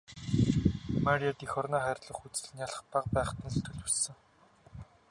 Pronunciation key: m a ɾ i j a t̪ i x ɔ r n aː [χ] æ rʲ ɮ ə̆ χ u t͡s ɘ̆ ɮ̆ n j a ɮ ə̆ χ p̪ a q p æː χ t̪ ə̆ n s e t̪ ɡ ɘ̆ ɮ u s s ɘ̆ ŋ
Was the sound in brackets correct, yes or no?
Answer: yes